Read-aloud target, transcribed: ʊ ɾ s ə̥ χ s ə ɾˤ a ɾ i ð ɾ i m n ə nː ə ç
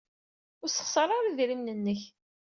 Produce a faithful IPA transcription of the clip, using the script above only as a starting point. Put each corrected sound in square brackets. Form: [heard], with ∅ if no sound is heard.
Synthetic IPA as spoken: ʊ ɾ s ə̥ χ s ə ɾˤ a ɾ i ð ɾ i m n ə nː ə ç